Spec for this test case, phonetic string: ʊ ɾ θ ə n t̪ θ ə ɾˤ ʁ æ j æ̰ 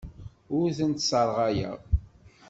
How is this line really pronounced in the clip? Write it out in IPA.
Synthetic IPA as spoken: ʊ ɾ θ ə n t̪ s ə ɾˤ ʁ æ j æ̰